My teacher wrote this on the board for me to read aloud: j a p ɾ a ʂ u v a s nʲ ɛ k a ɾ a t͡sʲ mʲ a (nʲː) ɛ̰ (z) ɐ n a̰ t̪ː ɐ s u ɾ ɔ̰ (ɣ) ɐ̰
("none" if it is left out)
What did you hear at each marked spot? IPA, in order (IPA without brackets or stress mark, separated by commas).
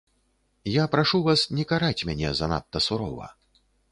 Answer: nʲ, z, v